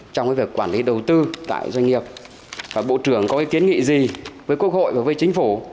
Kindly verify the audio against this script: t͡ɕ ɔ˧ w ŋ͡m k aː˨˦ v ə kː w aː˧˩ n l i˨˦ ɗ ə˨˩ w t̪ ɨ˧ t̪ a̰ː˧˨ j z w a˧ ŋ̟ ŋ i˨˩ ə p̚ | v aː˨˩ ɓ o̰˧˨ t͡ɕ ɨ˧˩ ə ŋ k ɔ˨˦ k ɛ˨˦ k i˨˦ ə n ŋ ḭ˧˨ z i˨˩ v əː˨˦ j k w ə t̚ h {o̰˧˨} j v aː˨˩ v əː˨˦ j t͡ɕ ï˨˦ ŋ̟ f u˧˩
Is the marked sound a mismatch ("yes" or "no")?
no